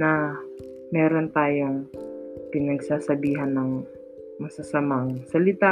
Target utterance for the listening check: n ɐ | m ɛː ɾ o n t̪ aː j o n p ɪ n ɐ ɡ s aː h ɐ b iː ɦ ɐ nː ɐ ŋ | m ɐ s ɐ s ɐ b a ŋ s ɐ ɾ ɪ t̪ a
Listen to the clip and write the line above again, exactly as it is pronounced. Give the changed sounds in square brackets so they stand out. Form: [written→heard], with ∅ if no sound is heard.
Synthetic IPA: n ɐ | m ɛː ɾ o n t̪ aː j o [n→ŋ] p ɪ n ɐ ɡ s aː [h→s] ɐ b iː ɦ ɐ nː ɐ ŋ | m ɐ s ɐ s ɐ [b→m] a ŋ s ɐ [ɾ→l] ɪ t̪ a